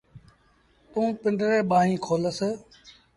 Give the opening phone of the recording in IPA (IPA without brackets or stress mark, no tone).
t̪